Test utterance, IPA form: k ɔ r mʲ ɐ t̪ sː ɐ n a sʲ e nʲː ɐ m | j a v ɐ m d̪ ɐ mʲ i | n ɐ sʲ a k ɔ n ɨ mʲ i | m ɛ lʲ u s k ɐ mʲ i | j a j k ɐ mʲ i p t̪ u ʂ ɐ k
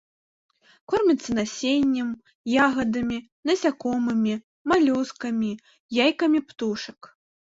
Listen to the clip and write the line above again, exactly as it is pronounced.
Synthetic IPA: k ɔ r mʲ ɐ t̪ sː ɐ n a sʲ e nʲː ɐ m | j a ɣ ɐ d̪ ɐ mʲ i | n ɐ sʲ a k ɔ m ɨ mʲ i | m a lʲ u s k ɐ mʲ i | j a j k ɐ mʲ i p t̪ u ʂ ɐ k